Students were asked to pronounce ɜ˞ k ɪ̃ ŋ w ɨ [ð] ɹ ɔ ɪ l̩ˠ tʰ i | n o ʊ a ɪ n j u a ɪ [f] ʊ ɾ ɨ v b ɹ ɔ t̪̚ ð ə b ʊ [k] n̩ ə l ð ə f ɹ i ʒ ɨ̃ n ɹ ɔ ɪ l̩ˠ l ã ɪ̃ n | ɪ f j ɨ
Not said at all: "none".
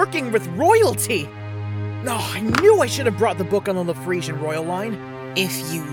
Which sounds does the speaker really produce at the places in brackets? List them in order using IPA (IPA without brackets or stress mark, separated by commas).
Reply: ð, ʃ, k